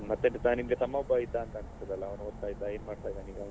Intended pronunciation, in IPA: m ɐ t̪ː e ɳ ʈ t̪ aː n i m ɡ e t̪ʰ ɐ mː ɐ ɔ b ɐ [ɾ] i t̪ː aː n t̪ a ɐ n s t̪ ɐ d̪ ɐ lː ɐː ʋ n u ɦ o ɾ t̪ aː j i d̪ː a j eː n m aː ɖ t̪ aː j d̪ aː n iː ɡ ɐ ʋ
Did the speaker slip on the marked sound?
yes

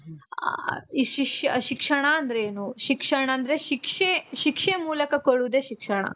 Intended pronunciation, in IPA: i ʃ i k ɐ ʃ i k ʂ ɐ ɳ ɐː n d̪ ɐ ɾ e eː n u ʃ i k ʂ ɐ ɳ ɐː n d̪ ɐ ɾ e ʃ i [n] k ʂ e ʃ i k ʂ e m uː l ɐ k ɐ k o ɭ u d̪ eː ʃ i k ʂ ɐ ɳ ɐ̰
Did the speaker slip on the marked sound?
yes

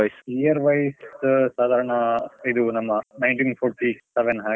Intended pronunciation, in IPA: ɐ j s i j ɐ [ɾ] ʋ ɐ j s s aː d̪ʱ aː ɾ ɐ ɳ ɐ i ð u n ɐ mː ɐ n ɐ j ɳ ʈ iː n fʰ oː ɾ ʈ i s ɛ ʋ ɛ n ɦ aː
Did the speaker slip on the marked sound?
no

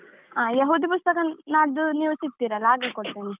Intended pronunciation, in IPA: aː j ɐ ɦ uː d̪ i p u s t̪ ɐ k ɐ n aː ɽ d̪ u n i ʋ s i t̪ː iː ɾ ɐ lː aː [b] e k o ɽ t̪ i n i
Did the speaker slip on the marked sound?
yes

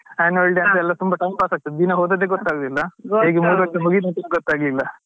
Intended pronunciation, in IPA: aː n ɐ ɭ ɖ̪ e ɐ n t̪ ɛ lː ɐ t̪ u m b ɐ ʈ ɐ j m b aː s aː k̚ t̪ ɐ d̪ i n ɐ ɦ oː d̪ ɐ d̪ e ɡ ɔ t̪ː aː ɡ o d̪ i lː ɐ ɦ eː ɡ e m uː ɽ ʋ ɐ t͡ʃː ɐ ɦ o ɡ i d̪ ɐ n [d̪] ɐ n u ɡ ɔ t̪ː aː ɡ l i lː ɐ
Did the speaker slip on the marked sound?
yes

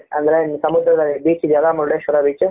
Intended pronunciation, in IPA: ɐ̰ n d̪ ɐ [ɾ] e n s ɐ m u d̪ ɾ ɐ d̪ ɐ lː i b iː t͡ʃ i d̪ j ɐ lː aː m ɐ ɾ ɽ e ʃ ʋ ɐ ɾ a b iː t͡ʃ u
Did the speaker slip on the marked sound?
no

